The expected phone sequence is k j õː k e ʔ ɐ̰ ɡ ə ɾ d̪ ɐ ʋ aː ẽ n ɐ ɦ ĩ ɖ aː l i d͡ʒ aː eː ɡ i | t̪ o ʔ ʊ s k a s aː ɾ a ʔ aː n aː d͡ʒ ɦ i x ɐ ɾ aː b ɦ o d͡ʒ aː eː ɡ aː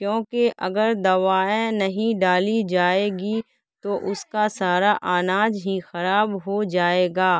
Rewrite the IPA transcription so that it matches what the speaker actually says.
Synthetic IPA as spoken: k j õː k e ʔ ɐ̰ ɡ ə ɾ d̪ ɐ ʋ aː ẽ n ɐ ɦ ĩ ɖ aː l i d͡ʒ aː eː ɡ i | t̪ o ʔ ʊ s k a s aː ɾ a ʔ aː n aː d͡ʒ ɦ i x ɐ ɾ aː b ɦ o d͡ʒ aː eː ɡ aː